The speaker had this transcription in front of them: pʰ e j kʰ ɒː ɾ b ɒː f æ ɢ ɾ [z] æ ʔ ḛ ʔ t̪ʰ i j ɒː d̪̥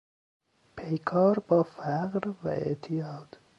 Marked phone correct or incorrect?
incorrect